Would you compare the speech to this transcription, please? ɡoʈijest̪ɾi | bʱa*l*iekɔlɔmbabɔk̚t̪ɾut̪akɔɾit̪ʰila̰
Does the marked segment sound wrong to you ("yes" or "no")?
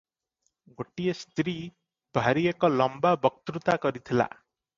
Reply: yes